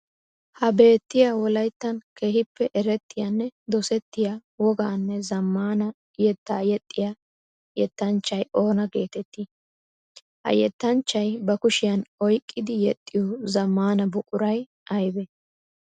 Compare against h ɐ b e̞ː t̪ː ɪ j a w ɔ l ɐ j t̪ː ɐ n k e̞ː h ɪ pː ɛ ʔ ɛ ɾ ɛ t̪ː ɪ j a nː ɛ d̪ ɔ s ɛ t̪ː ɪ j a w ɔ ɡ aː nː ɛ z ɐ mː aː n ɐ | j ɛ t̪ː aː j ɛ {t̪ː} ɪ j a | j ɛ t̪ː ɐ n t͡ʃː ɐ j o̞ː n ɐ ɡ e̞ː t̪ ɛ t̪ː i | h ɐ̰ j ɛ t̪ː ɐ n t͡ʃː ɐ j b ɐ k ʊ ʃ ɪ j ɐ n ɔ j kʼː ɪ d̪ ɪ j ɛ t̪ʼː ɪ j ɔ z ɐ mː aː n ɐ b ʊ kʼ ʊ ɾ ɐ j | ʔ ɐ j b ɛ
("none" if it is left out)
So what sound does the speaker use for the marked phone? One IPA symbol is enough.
t̪ʼː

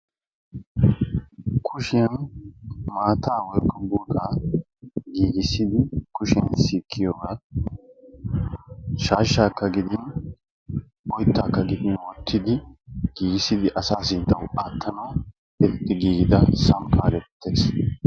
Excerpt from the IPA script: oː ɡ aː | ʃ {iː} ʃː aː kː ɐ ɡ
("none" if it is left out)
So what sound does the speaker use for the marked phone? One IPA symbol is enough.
aː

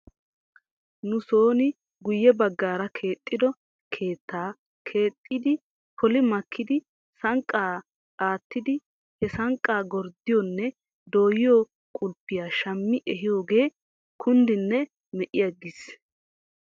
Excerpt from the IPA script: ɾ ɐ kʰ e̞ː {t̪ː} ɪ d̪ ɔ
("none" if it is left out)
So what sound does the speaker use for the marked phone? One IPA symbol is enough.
t̪ʼː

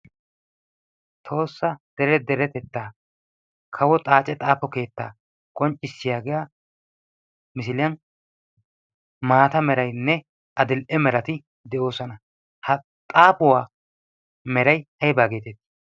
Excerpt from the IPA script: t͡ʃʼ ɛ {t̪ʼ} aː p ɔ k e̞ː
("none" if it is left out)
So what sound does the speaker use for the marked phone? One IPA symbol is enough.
t̪ʼ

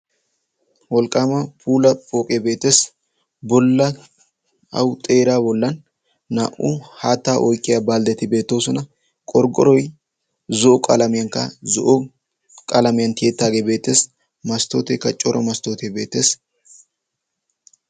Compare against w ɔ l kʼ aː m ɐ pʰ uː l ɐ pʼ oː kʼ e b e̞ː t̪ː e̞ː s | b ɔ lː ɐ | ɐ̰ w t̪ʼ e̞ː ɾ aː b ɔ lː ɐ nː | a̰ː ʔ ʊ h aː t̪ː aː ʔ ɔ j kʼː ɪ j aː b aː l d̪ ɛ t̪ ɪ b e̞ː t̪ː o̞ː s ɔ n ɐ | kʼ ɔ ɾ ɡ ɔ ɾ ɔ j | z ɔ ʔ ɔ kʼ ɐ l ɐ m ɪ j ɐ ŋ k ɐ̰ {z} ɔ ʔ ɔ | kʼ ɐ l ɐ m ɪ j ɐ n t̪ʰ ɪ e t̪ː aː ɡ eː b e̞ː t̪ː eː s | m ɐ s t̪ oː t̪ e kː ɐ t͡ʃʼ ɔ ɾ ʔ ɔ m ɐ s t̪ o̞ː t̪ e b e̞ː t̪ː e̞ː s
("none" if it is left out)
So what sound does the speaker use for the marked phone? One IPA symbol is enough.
z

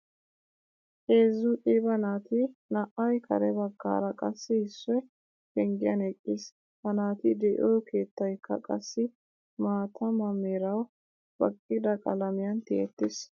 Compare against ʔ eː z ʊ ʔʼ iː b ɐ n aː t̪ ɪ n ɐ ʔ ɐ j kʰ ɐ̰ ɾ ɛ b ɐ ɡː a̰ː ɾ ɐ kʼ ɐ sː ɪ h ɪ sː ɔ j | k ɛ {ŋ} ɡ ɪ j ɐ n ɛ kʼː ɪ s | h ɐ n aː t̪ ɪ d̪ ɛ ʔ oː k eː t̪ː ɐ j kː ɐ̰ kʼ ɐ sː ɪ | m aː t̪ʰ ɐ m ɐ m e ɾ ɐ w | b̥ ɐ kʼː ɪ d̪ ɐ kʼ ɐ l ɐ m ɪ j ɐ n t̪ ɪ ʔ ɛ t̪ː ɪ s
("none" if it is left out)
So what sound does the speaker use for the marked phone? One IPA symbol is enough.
ŋ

